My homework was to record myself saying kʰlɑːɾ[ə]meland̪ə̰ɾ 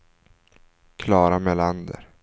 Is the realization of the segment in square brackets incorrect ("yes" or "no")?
yes